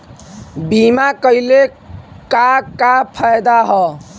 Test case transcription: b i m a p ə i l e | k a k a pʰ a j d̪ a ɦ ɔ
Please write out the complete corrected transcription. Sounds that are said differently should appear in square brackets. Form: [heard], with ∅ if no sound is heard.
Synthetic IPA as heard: b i m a [k] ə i l e | k a k a pʰ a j d̪ a ɦ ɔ